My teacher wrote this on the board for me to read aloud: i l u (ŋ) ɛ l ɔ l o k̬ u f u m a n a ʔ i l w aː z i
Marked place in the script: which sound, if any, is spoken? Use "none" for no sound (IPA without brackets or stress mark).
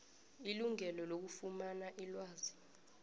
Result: ŋ